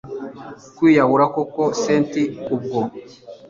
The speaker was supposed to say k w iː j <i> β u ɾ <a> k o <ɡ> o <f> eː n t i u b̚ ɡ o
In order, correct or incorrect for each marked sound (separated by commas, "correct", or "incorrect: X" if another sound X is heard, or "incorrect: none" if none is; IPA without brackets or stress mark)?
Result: incorrect: a, correct, incorrect: k, incorrect: s